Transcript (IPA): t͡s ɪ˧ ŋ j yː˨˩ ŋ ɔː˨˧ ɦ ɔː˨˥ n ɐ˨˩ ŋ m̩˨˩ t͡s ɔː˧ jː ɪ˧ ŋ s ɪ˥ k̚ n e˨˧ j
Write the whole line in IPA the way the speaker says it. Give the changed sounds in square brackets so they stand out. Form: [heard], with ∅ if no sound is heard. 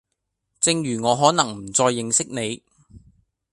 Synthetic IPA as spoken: t͡s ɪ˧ ŋ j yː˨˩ ŋ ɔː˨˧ ɦ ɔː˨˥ n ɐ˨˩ ŋ m̩˨˩ t͡s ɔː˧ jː ɪ˧ ŋ s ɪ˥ k̚ n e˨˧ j

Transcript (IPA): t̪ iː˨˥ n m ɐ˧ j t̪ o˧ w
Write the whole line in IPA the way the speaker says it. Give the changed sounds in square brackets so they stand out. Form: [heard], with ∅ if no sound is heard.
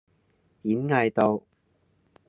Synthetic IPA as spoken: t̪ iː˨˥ n [ŋ] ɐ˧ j t̪ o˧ w

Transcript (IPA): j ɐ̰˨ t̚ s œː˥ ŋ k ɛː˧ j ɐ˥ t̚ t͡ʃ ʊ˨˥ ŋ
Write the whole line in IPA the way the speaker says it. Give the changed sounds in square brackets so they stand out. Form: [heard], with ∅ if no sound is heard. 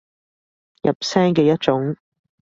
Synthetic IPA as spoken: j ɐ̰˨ [p̚] s [ɛː˥] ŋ k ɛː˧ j ɐ˥ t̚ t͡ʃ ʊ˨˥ ŋ

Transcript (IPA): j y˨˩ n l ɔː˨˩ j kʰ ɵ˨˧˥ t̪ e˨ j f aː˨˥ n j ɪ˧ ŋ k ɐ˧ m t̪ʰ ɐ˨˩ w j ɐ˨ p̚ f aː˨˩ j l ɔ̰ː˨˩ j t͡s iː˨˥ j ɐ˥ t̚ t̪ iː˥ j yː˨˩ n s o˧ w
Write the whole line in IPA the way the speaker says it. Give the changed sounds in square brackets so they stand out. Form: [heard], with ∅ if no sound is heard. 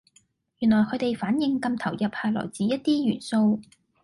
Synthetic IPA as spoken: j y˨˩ n l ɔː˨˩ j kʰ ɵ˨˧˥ t̪ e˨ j f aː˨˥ n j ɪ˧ ŋ k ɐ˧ m t̪ʰ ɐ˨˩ w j ɐ˨ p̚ [h] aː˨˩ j l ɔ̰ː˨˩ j t͡s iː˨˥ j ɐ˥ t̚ t̪ iː˥ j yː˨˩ n s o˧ w

